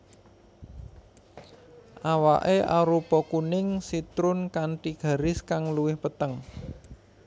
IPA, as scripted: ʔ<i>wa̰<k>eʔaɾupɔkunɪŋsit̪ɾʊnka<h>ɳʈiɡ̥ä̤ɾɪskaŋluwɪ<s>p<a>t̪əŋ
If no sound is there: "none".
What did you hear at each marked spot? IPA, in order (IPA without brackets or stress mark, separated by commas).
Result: a, ʔ, none, h, ə